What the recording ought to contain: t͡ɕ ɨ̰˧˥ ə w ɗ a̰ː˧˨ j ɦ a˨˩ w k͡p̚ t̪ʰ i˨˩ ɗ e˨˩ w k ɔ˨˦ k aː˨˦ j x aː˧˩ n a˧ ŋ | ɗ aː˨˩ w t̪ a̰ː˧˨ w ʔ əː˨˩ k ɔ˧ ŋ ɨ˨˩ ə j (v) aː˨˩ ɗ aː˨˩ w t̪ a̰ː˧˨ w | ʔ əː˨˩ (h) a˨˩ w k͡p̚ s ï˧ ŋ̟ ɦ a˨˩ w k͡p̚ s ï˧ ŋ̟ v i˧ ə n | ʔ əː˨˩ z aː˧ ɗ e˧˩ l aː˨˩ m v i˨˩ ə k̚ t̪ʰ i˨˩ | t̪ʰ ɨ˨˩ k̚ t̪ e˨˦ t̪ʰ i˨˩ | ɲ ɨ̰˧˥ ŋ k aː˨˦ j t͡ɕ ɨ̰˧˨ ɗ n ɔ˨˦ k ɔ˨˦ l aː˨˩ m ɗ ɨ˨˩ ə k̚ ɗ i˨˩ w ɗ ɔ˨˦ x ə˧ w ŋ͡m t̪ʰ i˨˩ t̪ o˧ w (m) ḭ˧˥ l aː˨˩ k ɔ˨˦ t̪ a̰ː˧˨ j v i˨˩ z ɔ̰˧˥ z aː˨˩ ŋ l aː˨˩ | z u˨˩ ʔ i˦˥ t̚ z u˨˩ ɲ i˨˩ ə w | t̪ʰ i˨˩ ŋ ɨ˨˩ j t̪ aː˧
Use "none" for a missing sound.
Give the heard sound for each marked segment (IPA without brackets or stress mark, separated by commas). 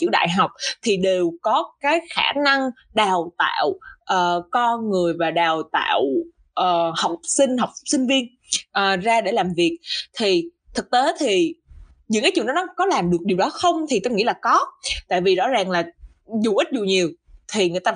v, h, ŋ